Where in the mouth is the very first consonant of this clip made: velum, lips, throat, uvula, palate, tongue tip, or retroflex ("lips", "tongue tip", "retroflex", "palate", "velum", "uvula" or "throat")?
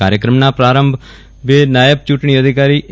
tongue tip